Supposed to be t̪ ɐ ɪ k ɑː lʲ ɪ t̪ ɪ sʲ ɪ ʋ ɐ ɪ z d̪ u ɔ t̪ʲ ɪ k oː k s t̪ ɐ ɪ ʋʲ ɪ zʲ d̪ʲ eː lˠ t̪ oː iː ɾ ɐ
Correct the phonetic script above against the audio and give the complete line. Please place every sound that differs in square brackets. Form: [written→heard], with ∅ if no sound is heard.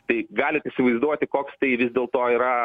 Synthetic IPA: t̪ ɐ ɪ [k→ɡ] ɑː lʲ ɪ t̪ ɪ sʲ ɪ ʋ ɐ ɪ z d̪ u ɔ t̪ʲ ɪ k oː k s t̪ ɐ ɪ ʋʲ ɪ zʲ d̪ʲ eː lˠ t̪ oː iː ɾ ɐ